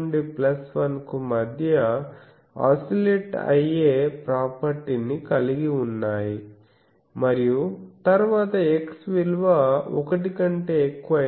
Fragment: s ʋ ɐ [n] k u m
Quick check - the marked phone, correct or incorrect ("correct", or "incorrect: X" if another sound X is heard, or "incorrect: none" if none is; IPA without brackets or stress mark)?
correct